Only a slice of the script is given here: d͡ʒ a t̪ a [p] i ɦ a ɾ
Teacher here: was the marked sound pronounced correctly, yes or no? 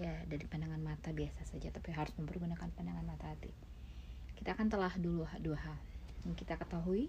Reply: yes